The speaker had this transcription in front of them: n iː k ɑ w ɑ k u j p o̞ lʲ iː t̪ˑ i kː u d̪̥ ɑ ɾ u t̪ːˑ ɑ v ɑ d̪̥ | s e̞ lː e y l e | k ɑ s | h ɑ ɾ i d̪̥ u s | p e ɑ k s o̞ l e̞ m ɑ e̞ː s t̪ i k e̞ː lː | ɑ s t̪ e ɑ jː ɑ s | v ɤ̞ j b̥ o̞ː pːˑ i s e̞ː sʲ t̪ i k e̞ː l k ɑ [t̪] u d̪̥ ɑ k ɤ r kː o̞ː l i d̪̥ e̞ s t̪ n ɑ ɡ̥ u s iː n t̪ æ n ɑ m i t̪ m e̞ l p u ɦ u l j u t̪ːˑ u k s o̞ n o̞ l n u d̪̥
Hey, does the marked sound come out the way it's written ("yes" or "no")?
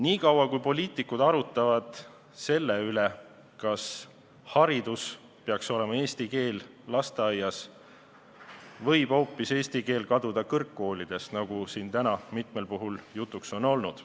no